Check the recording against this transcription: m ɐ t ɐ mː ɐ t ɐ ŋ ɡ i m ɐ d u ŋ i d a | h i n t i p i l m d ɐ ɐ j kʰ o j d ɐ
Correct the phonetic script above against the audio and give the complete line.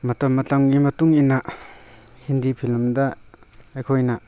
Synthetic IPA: m ɐ t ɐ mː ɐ t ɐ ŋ ɡ i m ɐ t u ŋ i n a | h i n d i pʰ i l m d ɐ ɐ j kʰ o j n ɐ